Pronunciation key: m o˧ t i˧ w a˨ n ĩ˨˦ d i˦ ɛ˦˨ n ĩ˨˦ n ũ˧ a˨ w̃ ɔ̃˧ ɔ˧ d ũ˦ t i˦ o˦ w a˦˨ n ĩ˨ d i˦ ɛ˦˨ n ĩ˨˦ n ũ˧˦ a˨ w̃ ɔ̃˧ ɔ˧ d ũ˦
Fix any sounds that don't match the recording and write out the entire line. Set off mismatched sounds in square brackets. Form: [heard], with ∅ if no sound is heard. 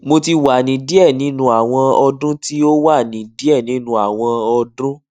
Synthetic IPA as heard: m o˧ t i˧ w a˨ n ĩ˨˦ d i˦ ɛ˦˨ n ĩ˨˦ n ũ˧ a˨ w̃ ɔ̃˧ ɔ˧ d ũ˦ t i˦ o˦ w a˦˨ n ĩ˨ d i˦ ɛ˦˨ n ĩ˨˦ n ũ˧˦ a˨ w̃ ɔ̃˧ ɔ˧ d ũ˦